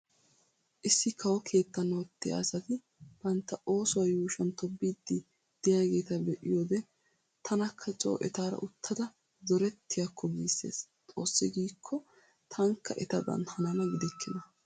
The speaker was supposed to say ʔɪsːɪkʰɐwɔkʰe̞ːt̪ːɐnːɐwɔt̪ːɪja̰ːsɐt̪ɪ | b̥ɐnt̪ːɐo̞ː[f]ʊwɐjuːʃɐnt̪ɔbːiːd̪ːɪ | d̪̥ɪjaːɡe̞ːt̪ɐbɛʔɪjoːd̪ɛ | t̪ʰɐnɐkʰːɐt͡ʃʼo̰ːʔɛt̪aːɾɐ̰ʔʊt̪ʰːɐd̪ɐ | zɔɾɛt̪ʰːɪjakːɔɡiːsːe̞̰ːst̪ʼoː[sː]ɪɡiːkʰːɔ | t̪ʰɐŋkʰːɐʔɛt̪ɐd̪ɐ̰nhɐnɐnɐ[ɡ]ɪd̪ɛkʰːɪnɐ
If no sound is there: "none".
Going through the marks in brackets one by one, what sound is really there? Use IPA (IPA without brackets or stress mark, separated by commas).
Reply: s, sː, ɡ